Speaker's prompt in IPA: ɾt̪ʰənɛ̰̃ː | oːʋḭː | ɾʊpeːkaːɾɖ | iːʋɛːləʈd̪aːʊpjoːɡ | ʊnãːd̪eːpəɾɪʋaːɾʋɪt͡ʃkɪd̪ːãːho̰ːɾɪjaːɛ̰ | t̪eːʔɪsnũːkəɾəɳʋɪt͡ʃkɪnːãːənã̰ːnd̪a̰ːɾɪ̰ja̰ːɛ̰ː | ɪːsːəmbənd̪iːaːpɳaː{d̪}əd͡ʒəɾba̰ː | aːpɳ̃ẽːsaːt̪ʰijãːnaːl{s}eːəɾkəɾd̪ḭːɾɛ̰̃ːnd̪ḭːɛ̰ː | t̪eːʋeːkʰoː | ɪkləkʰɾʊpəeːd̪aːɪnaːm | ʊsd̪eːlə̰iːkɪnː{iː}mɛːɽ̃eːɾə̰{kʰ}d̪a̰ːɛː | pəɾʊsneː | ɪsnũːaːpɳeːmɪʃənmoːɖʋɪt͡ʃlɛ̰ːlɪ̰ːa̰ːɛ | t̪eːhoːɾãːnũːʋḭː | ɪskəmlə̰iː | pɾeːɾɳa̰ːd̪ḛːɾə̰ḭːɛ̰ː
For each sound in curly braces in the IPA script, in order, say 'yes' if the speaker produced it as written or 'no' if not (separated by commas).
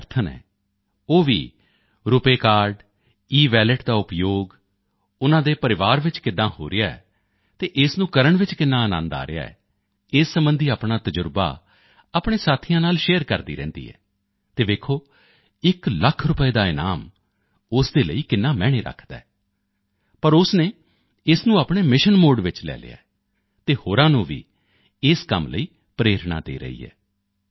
no, no, no, yes